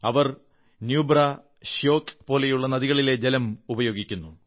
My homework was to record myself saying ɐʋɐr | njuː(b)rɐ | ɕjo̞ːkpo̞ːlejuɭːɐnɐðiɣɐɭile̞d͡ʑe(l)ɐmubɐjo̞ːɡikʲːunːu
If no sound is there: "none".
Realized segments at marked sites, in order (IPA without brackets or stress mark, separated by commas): b, l